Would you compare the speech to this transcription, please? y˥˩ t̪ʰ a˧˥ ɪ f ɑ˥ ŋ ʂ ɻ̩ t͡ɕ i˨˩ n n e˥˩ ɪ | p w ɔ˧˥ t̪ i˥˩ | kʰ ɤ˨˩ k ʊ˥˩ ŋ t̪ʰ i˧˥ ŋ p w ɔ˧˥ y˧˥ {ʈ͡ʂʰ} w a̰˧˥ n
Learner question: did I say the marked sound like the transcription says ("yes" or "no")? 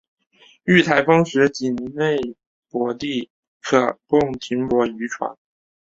yes